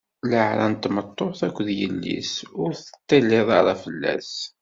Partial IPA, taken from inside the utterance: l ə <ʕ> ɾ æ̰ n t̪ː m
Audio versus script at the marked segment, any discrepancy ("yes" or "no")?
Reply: no